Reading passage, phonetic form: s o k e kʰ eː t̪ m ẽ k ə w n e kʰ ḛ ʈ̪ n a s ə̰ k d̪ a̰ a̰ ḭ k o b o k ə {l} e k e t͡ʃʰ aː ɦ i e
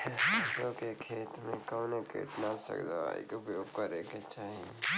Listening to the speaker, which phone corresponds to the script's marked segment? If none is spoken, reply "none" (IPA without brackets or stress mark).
ɾ